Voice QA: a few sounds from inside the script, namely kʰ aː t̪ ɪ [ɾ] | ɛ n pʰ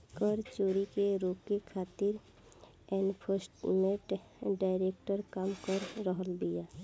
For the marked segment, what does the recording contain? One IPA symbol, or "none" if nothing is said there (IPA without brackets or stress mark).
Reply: ɾ